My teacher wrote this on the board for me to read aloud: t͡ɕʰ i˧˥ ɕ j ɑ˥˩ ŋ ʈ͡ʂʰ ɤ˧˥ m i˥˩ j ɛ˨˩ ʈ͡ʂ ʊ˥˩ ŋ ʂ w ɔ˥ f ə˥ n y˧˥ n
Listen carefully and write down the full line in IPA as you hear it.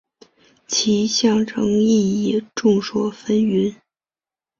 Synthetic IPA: t͡ɕʰ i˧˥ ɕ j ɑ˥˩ ŋ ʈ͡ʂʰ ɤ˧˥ ŋ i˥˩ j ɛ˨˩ ʈ͡ʂ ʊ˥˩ ŋ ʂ w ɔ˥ f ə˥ n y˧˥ n